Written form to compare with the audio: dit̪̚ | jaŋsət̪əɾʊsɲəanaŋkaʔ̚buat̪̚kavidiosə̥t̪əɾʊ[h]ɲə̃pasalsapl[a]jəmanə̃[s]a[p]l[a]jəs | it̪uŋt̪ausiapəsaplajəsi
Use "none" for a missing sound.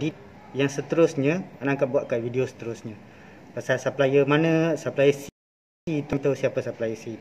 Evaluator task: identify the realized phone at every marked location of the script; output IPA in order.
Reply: s, a, s, p, a

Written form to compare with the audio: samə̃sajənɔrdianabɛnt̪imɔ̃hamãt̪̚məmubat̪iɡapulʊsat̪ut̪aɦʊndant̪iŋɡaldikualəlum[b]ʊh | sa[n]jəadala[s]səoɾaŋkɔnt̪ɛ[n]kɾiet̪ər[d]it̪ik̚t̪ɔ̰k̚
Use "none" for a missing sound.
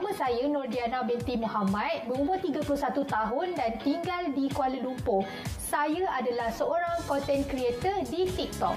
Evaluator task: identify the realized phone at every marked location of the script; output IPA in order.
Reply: p, none, h, n, d

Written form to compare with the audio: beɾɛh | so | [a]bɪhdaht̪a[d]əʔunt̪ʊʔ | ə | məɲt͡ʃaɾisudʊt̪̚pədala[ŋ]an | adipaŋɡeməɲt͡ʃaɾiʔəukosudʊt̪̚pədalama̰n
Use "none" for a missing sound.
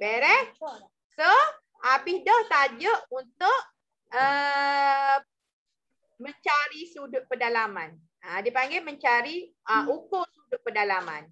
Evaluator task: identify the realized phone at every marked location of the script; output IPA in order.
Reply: a, d͡ʒ, m

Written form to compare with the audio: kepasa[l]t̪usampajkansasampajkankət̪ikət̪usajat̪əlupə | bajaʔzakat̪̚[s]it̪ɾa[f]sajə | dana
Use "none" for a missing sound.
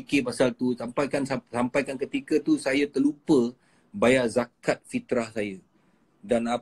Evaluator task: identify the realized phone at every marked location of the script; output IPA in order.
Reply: l, f, h

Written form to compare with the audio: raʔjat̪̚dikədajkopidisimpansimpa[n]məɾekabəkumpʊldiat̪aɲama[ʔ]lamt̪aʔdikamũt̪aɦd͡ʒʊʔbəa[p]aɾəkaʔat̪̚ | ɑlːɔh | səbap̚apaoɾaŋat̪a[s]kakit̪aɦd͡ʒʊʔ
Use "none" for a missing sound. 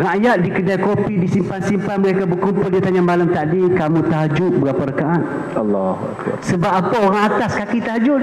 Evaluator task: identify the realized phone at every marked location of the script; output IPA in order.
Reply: n, none, p, s

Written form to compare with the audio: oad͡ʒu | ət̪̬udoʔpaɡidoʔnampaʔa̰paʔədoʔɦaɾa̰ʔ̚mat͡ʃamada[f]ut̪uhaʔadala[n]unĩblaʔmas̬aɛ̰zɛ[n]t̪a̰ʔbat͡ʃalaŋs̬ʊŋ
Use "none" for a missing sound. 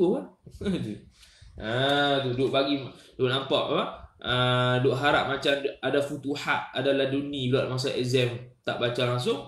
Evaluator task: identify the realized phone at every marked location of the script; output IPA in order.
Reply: f, d, m

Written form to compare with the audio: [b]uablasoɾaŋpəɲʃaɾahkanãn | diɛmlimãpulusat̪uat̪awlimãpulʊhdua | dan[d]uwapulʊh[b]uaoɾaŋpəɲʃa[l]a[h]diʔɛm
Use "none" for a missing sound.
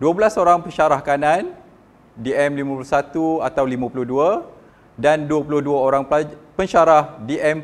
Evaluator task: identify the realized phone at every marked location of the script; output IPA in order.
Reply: d, d, d, ɾ, h

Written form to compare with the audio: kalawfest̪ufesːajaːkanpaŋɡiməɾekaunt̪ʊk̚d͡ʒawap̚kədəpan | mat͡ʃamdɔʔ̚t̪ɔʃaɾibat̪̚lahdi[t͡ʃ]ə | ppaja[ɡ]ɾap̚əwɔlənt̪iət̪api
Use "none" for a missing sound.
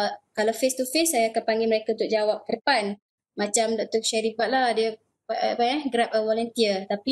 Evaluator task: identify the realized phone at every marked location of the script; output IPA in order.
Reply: none, ɡ

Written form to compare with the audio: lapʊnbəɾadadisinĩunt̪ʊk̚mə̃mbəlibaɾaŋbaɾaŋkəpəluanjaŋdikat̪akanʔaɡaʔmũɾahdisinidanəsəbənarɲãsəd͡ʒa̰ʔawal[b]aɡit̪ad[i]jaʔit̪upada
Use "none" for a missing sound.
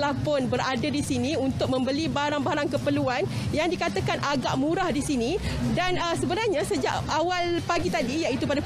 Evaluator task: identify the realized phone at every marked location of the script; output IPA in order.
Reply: p, i

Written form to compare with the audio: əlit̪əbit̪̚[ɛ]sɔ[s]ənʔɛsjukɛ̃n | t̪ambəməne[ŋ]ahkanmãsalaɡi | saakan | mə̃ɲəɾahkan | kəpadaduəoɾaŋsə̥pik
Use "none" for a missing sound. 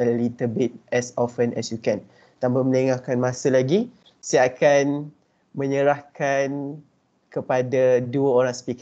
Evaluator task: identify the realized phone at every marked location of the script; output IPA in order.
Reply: ɛ, f, ŋ

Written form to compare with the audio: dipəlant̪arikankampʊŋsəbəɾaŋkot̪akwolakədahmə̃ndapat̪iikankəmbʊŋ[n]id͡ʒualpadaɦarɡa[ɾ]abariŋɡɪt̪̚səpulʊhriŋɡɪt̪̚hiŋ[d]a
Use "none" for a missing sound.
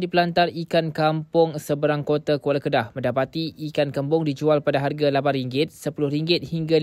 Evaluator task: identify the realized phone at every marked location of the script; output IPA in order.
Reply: d, l, ɡ

